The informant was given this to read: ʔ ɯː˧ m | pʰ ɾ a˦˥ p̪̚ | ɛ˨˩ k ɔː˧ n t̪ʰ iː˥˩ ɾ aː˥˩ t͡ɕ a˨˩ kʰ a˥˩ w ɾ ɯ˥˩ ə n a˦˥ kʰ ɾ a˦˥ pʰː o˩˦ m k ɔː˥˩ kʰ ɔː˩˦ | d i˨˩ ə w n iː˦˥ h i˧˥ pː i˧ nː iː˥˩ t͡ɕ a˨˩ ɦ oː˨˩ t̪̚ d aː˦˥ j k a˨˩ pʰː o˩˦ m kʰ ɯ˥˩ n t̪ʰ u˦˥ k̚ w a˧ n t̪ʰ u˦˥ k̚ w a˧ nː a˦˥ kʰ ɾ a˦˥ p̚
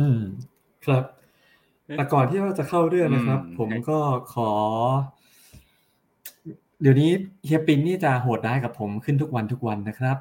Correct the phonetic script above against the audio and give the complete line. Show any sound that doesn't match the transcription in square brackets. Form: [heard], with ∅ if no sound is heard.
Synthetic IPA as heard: ʔ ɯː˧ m | [kʰ] ɾ a˦˥ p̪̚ | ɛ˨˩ k [ɔː˨˩] n t̪ʰ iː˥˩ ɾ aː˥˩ t͡ɕ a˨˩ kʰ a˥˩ w ɾ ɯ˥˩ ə n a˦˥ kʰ ɾ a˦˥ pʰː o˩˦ m k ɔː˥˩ kʰ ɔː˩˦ | d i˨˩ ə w n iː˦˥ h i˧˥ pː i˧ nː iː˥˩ t͡ɕ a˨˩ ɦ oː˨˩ t̪̚ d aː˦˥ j k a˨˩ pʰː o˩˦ m kʰ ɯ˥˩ n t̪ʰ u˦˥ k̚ w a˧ n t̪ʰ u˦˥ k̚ w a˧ nː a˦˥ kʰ ɾ a˦˥ p̚